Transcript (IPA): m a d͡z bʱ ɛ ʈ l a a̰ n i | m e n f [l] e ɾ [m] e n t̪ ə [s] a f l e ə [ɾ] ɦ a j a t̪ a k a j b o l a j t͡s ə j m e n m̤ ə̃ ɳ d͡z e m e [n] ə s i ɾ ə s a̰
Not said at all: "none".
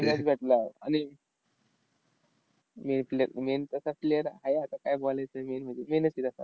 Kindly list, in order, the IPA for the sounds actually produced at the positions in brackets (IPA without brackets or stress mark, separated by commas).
l, m, s, ɾ, n